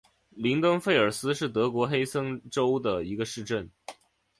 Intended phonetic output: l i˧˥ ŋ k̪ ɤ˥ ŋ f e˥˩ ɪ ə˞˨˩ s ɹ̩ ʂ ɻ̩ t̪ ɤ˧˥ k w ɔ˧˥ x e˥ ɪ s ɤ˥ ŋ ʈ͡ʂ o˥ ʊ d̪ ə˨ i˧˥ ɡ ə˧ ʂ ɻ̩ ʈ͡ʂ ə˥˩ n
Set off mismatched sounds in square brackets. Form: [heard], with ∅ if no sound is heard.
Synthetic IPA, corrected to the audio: l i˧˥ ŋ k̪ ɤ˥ ŋ f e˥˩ ɪ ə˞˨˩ s ɹ̩ ʂ ɻ̩ t̪ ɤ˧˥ k w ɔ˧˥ x e˥ ɪ s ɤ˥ ŋ ʈ͡ʂ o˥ ʊ d̪ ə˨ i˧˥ ɡ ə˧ ʂ ɻ̩ ʈ͡ʂ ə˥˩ n